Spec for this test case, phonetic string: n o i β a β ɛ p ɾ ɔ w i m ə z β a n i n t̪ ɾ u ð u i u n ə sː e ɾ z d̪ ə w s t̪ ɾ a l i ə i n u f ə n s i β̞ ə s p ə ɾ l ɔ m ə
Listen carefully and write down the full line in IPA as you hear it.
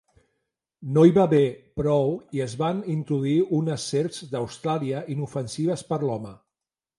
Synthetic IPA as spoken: n o i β a β e p ɾ ɔ w i ə z β a n i n t̪ ɾ u ð u i u n ə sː e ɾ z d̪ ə w s t̪ ɾ a l i ə i n u f ə n s i β̞ ə s p ə ɾ l ɔ m ə